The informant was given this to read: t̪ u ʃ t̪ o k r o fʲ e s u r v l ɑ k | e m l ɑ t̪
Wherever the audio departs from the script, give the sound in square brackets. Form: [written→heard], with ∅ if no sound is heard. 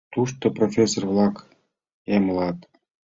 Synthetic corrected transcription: t̪ u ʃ t̪ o [k→p] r o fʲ e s [u→o] r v l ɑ k | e m l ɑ t̪